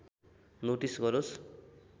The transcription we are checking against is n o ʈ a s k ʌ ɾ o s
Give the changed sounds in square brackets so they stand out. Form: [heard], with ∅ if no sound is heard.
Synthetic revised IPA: n o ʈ [i] s [ɡ] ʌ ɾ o s